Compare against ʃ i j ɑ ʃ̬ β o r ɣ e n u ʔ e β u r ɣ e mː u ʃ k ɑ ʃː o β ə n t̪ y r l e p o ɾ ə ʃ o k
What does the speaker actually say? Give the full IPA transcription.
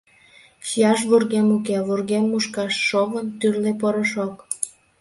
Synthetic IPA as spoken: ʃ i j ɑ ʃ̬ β u r ɣ e m u k e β u r ɣ e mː u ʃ k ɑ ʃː o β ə n t̪ y r l e p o ɾ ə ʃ o k